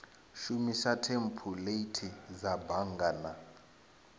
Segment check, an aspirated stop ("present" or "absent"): present